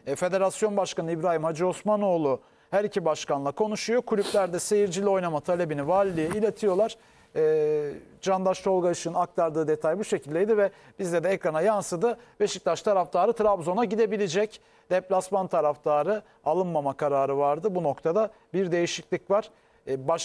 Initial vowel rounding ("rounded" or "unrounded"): unrounded